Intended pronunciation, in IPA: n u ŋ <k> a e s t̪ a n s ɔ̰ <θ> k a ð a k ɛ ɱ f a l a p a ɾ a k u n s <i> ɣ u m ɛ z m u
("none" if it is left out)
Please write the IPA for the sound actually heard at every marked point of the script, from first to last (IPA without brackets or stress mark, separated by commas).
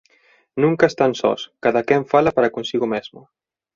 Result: k, s, i